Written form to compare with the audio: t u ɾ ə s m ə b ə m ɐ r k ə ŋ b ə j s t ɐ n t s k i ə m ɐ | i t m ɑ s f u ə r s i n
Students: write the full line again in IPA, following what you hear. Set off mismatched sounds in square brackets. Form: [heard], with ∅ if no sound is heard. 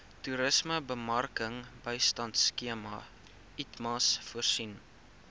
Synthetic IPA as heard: t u ɾ ə s m ə b ə m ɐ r k ə ŋ b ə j s t ɐ n t s k i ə m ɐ | i t m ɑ s f u ə r s i n